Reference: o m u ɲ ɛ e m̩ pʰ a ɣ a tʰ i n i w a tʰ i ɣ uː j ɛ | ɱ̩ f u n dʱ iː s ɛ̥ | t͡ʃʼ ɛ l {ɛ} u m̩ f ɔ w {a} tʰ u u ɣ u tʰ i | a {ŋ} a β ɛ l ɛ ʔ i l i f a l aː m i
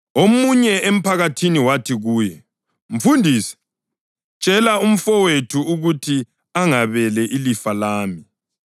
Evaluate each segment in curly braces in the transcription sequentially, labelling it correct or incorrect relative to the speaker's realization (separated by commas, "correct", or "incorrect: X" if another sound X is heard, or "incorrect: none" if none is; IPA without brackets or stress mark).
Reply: incorrect: a, incorrect: e, correct